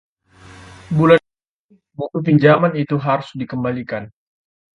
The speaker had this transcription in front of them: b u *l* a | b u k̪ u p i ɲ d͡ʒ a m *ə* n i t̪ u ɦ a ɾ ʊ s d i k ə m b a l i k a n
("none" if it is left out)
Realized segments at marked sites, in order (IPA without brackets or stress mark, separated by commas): l, a